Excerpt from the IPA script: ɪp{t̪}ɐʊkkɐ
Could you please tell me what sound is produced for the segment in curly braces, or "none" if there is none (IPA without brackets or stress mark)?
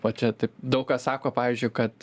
d̪